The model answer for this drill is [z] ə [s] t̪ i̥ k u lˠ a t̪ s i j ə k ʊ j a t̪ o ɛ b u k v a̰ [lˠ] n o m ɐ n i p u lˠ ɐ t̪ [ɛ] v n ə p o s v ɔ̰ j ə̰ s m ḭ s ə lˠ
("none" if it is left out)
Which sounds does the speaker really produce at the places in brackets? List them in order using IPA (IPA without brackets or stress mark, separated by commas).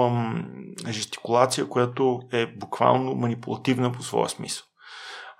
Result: ʒ, s, lˠ, i